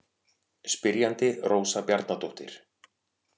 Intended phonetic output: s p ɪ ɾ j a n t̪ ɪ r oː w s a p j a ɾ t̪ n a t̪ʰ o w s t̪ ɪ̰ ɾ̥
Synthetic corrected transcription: s p ɪ ɾ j a n t̪ ɪ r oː w s a p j a ɾ t̪ n a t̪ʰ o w h t̪ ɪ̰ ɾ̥